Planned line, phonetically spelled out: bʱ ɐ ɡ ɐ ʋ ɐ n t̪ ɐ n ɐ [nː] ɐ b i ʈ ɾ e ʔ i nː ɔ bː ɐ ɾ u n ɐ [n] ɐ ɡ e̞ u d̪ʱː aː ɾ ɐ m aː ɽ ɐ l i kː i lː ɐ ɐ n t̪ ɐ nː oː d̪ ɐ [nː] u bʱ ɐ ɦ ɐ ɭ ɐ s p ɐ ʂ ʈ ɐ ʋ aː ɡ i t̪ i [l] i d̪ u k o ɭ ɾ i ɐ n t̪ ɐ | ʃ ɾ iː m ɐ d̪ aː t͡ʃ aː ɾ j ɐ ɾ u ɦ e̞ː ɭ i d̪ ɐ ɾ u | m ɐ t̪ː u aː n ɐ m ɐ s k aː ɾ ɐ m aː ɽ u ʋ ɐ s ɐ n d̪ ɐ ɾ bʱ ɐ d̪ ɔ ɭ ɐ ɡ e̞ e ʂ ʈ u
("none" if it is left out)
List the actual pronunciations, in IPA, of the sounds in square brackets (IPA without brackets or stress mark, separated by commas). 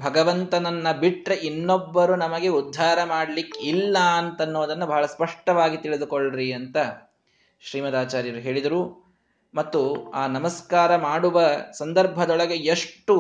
nː, m, nː, ɭ